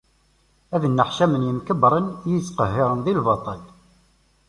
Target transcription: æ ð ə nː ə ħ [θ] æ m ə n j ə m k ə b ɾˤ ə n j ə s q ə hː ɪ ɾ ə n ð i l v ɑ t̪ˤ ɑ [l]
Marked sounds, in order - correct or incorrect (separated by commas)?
incorrect, correct